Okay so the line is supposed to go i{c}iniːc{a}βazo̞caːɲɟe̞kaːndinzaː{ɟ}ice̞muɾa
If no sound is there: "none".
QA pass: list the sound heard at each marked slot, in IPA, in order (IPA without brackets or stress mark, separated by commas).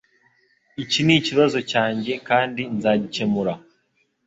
c, i, ɟ